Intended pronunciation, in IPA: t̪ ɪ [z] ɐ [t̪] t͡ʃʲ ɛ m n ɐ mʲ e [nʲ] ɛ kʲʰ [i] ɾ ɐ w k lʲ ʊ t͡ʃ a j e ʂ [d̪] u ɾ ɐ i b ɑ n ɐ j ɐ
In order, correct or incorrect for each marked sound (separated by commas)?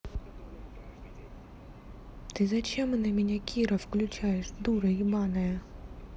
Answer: correct, incorrect, correct, correct, correct